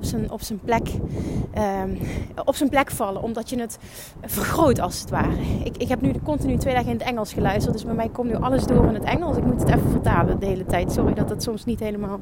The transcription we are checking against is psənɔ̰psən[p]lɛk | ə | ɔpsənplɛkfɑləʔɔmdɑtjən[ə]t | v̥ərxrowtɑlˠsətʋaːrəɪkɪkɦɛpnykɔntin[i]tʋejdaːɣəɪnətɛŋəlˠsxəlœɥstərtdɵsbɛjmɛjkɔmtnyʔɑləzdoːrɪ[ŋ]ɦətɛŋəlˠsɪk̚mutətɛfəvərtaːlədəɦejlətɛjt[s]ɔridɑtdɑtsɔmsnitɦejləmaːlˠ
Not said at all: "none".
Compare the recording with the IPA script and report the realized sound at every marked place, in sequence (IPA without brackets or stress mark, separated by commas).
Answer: p, ə, y, n, s